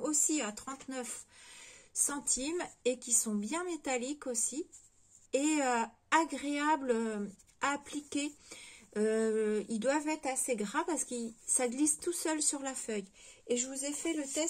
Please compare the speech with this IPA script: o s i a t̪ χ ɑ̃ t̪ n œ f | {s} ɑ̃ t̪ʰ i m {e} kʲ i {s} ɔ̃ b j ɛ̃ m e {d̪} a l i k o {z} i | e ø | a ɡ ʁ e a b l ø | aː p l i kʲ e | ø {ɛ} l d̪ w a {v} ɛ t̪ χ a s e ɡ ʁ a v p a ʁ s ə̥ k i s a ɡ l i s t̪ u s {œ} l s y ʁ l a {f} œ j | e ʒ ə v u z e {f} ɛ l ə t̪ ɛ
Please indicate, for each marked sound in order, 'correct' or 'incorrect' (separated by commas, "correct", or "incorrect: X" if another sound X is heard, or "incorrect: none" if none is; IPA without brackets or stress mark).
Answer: correct, correct, correct, incorrect: t̪, incorrect: s, incorrect: i, correct, correct, correct, correct